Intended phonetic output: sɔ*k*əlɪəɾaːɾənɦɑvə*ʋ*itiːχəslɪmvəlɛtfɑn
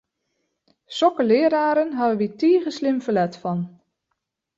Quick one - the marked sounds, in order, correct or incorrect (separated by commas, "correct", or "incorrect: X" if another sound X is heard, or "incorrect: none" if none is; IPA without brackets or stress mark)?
correct, correct